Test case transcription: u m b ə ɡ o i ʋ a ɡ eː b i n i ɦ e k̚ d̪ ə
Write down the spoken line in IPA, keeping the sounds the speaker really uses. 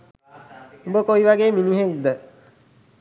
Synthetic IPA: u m b ə k o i ʋ a ɡ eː m i n i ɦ e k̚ d̪ ə